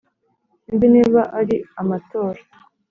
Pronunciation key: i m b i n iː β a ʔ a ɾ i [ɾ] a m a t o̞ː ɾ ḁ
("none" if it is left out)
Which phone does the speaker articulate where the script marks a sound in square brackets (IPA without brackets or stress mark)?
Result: none